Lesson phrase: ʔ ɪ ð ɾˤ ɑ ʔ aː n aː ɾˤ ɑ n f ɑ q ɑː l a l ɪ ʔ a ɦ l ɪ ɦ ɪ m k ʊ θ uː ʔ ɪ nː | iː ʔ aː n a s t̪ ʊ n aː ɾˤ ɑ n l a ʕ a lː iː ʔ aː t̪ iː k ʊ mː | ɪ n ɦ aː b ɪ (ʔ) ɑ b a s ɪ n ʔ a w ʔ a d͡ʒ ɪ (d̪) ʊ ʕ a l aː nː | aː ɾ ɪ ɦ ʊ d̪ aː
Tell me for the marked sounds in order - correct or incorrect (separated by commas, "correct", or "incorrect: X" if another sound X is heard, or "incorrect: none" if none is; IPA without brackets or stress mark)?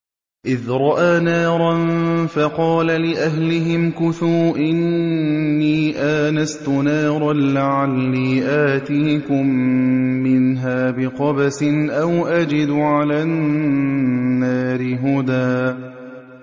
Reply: incorrect: q, correct